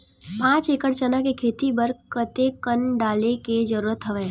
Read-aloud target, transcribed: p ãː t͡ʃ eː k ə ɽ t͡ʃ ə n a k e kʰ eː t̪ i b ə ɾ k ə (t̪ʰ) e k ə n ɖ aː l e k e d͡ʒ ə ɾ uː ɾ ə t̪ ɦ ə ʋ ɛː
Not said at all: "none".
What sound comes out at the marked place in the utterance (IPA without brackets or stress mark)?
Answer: t̪